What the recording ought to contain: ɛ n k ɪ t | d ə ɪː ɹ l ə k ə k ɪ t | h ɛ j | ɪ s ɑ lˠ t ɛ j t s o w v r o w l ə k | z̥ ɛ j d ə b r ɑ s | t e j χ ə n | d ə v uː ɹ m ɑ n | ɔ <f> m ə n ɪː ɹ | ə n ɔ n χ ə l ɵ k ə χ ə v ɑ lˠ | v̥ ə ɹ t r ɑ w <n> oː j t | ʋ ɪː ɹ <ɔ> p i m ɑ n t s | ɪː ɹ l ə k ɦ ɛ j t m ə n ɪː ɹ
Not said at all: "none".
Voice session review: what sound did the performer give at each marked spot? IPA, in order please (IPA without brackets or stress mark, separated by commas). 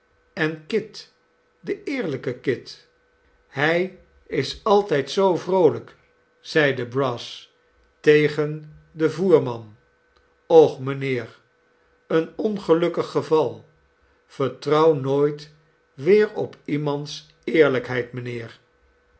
χ, n, ɔ